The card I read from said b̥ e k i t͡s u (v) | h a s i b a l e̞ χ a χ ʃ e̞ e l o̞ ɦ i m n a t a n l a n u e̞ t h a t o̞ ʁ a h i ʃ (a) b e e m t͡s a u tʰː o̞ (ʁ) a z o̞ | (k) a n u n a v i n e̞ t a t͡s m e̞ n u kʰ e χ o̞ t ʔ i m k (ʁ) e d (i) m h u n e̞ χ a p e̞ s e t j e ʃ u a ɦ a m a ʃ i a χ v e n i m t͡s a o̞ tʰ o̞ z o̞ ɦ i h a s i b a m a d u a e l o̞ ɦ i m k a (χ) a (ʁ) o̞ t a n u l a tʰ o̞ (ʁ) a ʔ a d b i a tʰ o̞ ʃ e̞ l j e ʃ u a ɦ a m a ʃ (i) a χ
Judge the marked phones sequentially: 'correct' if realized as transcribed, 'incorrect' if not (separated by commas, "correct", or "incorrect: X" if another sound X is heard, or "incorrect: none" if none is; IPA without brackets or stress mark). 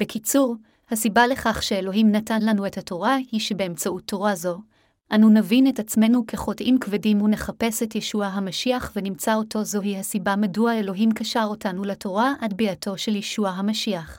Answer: incorrect: ʁ, incorrect: e, correct, incorrect: ʔ, incorrect: v, correct, incorrect: ʃ, correct, correct, correct